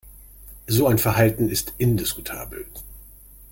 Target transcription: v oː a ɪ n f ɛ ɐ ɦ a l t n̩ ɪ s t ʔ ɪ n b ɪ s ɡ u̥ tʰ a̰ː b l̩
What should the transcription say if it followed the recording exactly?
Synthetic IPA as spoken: z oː a ɪ n f ɛ ɐ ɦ a l t n̩ ɪ s t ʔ ɪ n d ɪ s k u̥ tʰ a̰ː b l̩